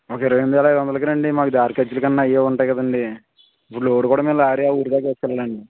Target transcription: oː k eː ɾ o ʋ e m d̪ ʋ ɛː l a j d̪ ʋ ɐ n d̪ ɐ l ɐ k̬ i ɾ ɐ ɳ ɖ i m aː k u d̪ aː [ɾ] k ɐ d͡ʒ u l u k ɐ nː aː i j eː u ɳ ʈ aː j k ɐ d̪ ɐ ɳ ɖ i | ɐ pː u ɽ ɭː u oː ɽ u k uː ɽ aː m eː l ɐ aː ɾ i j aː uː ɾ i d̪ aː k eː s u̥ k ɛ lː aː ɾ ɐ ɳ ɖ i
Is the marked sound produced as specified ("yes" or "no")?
yes